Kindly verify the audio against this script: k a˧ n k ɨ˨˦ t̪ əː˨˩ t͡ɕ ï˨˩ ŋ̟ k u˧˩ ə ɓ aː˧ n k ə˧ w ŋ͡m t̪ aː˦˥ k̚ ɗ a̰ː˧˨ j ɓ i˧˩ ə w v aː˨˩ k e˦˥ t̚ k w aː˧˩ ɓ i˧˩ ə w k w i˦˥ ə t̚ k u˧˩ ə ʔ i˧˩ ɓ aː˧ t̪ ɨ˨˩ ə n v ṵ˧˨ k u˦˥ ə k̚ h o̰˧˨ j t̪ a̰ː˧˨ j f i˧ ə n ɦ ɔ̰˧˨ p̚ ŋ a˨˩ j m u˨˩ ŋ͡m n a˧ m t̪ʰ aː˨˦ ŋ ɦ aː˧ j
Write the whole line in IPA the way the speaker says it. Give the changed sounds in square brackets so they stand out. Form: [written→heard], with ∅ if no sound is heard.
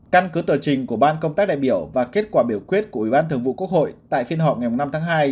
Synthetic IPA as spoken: k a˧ n k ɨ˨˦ t̪ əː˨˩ t͡ɕ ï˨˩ ŋ̟ k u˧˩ ə ɓ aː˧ n k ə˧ w ŋ͡m t̪ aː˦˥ k̚ ɗ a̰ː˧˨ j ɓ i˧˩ ə w v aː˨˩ k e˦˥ t̚ k w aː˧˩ ɓ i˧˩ ə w k w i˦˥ ə t̚ k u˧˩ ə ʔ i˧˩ ɓ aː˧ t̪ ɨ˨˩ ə [n→ŋ] v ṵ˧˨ k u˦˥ ə k̚ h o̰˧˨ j t̪ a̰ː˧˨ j f i˧ ə n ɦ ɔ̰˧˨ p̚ ŋ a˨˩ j m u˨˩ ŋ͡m n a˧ m t̪ʰ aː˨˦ ŋ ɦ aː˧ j